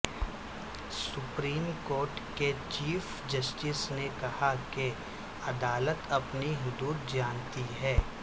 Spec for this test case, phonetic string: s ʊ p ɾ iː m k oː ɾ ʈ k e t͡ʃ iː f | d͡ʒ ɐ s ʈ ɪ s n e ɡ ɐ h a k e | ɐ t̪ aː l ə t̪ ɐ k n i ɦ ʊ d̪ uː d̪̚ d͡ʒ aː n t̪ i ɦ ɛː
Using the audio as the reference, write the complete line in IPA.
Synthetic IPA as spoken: s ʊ p ɾ iː m k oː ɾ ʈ k e t͡ʃ iː f | d͡ʒ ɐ s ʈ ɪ s n e k ɐ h a k e | ɐ d̪ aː l ə t̪ ɐ p n i ɦ ʊ d̪ uː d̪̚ d͡ʒ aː n t̪ i ɦ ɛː